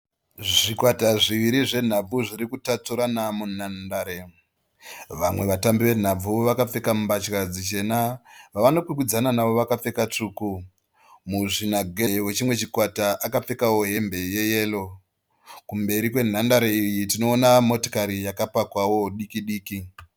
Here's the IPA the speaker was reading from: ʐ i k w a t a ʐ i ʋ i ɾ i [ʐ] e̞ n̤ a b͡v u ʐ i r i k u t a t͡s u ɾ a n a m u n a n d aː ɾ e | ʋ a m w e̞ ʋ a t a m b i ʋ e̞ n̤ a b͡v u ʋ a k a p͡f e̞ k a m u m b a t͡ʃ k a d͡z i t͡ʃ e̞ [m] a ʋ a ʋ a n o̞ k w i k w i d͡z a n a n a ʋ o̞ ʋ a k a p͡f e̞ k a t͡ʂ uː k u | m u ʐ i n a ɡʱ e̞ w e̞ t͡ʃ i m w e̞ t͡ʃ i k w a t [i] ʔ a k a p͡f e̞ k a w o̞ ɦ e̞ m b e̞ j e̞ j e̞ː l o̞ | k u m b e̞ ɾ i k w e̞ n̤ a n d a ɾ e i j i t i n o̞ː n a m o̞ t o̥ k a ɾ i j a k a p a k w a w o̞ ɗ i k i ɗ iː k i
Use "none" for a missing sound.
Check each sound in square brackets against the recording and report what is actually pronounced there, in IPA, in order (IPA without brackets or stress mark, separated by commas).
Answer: ʐ, n, a